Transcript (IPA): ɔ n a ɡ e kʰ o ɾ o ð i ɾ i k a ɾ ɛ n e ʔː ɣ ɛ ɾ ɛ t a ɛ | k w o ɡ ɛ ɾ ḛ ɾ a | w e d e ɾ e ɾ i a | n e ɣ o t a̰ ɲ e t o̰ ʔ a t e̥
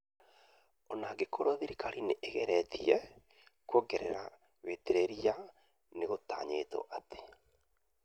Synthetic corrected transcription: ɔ n a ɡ e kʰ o ɾ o ð i ɾ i k a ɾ i n e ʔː ɣ ɛ ɾ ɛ t i ɛ | k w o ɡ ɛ ɾ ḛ ɾ a | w e t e ɾ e ɾ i a | n e ɣ o t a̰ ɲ e t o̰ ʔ a t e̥